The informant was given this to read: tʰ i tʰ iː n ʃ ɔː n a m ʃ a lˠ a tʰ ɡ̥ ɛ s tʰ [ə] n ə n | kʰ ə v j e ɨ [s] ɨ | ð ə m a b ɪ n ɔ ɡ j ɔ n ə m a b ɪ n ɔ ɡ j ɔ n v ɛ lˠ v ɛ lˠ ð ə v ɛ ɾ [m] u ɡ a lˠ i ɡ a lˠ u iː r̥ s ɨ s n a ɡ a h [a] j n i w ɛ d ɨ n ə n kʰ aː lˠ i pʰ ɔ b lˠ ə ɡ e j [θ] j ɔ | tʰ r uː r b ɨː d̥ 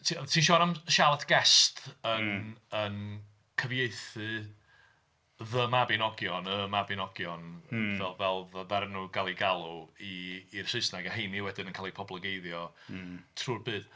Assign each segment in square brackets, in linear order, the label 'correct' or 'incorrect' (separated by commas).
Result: correct, incorrect, incorrect, incorrect, incorrect